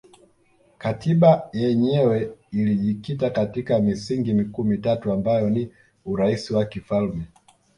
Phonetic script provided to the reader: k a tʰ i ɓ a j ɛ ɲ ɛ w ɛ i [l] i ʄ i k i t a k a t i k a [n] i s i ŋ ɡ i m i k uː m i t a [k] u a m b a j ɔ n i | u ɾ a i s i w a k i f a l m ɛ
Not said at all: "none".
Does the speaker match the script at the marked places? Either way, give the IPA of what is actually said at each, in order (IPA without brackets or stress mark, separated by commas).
l, m, t